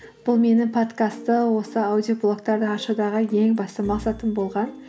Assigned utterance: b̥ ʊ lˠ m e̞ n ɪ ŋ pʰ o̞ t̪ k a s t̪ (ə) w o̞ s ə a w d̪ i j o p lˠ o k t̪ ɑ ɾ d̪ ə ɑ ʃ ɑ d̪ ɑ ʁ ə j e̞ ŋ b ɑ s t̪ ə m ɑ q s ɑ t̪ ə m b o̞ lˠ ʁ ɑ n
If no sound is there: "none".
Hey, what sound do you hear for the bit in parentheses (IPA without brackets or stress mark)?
ə